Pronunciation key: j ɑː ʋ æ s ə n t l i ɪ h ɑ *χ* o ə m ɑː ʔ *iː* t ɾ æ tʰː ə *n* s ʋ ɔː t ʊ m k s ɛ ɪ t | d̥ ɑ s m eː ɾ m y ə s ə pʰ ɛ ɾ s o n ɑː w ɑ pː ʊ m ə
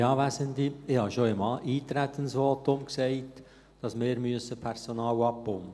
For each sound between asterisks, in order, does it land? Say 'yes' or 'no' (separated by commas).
no, yes, yes